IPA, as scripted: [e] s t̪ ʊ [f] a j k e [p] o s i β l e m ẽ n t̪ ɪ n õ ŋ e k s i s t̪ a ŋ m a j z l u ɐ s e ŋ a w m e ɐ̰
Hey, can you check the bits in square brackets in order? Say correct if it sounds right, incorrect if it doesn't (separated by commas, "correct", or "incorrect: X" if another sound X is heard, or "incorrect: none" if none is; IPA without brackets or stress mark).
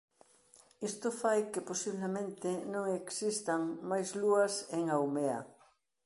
incorrect: i, correct, correct